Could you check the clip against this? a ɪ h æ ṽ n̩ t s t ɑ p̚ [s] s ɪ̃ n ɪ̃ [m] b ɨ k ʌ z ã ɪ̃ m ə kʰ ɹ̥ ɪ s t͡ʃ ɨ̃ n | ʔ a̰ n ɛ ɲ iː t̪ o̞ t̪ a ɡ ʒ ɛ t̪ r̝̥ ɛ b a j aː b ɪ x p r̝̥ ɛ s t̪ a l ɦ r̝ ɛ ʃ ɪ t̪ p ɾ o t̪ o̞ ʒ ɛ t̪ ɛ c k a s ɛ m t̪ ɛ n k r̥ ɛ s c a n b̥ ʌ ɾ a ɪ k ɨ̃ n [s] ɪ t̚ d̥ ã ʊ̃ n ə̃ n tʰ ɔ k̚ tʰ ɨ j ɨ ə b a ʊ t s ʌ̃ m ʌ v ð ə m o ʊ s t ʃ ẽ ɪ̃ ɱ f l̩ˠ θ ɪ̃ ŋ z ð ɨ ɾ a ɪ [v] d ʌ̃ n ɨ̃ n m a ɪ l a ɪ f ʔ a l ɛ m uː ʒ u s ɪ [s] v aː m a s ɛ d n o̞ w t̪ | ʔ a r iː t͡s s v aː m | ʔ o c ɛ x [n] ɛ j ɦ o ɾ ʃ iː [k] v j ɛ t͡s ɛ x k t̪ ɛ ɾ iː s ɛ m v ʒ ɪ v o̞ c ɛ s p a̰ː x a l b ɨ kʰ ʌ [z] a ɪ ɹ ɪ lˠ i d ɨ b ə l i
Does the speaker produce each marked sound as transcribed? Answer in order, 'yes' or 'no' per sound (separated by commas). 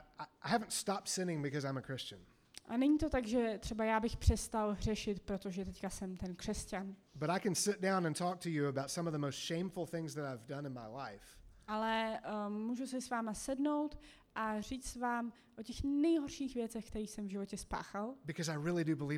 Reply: no, no, yes, yes, yes, yes, no, yes